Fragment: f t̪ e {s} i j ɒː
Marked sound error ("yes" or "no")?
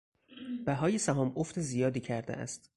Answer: yes